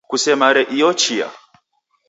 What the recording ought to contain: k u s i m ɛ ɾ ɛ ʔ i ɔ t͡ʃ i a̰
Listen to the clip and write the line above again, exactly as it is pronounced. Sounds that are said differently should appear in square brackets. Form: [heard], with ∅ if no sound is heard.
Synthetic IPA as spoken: k u s [ɛ] m [a] ɾ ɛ ʔ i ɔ t͡ʃ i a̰